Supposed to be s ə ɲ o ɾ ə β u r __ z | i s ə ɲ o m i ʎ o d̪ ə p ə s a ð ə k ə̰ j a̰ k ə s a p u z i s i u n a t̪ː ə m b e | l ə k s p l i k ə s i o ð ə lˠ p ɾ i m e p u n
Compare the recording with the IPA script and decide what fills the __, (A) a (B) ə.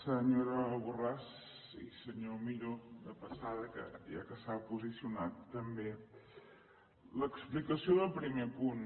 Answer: A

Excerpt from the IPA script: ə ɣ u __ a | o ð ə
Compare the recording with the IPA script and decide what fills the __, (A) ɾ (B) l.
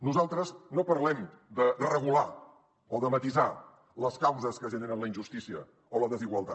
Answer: B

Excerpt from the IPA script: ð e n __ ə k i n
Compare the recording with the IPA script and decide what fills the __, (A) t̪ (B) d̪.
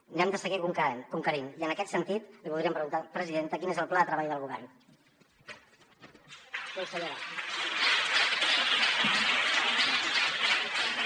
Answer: A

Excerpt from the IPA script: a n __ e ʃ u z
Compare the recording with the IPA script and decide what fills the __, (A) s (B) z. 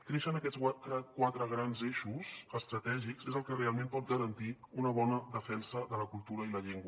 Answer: B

